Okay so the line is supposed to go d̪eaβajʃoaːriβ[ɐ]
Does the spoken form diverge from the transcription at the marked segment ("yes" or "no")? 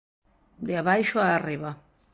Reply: yes